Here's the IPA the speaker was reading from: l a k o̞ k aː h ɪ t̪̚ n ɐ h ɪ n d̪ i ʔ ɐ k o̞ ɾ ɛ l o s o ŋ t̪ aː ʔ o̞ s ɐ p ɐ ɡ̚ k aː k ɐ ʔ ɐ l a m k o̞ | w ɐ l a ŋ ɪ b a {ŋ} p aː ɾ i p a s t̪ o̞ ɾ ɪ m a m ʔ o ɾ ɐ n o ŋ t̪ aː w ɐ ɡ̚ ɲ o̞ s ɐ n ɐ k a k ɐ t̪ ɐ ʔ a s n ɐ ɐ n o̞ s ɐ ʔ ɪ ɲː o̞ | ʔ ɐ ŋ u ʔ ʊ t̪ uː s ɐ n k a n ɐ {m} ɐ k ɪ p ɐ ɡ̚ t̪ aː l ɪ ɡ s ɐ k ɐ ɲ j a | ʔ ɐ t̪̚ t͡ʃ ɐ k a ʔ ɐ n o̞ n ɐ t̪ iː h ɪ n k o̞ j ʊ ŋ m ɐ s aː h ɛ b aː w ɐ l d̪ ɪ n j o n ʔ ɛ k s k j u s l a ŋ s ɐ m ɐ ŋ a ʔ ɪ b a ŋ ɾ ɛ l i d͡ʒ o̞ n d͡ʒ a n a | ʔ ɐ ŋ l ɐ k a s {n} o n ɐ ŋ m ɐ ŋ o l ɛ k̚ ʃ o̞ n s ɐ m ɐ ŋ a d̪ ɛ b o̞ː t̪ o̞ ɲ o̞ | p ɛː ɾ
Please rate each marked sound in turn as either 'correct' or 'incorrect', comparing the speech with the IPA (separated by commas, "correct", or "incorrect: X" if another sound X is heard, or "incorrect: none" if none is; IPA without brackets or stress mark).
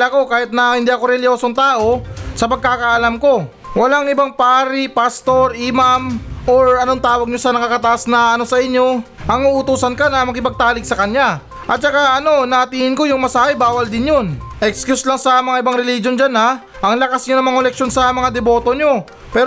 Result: correct, correct, incorrect: ɲ